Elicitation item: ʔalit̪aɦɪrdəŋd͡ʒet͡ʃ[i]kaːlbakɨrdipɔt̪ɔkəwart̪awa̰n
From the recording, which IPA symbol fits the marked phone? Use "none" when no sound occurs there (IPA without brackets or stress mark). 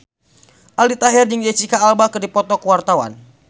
i